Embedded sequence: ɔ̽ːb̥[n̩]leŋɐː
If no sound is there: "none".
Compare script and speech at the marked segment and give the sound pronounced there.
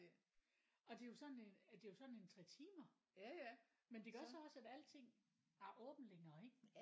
n̩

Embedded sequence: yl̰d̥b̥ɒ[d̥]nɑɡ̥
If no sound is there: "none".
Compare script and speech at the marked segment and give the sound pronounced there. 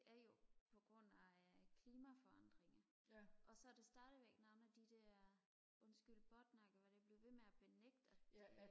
d̥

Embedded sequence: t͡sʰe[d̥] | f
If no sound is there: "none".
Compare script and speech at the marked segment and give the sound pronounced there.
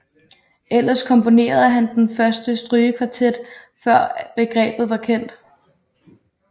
d̥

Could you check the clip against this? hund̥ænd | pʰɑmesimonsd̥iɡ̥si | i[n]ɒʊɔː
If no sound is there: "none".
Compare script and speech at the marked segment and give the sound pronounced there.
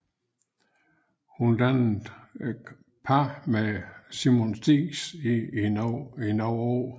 n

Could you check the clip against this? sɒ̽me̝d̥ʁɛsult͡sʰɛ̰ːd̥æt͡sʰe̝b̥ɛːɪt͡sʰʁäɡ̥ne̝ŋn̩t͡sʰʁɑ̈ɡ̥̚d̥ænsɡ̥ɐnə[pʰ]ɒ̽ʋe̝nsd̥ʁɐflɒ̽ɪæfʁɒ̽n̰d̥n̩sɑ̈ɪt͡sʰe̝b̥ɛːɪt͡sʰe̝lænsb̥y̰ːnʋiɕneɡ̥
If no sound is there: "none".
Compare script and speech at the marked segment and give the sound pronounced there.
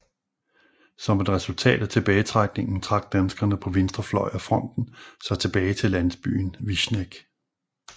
pʰ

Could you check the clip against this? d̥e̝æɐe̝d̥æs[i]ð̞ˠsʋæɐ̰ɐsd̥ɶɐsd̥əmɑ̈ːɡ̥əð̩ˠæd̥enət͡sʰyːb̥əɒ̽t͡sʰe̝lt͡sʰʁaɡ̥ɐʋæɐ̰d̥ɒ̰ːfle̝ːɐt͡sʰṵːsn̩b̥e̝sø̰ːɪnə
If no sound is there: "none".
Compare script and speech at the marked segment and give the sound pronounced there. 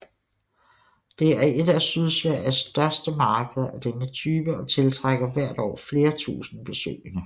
y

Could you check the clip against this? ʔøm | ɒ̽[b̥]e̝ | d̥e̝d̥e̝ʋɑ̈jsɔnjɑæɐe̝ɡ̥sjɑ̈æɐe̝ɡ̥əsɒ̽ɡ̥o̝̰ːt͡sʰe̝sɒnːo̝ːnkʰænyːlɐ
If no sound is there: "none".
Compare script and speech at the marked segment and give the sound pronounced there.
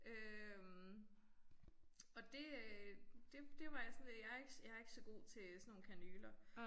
d̥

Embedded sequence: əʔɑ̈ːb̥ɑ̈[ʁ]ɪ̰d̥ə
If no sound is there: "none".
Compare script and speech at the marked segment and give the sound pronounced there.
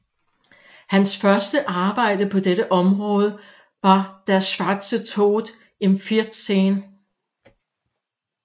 none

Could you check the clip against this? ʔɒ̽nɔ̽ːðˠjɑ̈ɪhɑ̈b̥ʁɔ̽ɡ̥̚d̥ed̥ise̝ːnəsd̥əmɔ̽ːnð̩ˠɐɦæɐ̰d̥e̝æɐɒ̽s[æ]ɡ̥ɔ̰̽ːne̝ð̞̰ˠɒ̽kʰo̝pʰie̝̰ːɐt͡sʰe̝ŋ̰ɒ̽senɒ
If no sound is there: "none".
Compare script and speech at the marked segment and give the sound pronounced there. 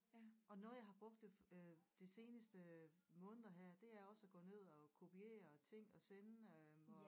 æ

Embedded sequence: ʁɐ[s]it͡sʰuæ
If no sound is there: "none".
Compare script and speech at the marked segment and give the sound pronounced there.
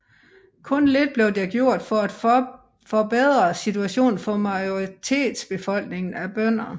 s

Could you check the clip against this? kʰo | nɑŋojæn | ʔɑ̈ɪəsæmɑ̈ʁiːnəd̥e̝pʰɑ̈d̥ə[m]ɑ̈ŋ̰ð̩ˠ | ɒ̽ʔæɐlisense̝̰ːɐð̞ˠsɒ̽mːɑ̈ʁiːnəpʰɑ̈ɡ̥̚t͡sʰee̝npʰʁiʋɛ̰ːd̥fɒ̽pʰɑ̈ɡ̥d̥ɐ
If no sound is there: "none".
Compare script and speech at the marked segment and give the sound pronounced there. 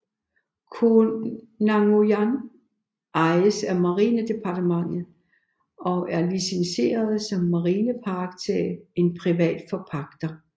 m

